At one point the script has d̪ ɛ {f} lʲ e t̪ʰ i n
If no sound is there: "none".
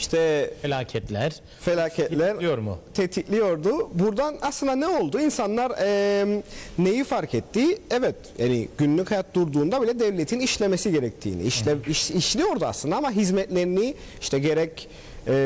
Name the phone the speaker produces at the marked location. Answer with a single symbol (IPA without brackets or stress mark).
v